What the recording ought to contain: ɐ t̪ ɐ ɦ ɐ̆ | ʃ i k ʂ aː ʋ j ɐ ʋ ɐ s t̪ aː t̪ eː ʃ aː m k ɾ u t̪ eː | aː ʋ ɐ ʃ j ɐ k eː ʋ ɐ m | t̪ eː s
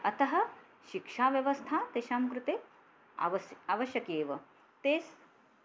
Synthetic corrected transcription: ɐ t̪ ɐ ɦ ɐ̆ | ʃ i k ʂ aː ʋ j ɐ ʋ ɐ s t̪ʰ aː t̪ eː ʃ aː m k ɾ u t̪ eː | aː ʋ ɐ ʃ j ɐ k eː ʋ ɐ | t̪ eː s